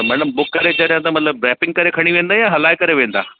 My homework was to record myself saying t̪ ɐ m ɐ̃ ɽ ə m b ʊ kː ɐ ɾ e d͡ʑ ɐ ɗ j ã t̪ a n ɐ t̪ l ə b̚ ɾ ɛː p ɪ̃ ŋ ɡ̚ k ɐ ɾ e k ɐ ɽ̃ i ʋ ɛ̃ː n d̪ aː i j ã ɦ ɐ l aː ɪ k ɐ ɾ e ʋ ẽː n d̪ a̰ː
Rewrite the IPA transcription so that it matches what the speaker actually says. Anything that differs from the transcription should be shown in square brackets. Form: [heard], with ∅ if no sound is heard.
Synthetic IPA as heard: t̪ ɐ m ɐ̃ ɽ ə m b ʊ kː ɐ ɾ e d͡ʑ ɐ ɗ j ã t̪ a [m] ɐ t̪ l ə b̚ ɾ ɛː p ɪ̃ ŋ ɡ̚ k ɐ ɾ e [kʰ] ɐ ɽ̃ i ʋ [ẽː] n d̪ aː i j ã ɦ ɐ l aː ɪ k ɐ ɾ e ʋ ẽː n d̪ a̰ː